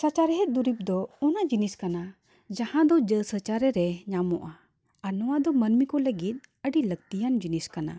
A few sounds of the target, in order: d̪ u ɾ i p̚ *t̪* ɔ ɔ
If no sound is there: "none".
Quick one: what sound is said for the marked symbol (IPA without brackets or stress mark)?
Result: d̪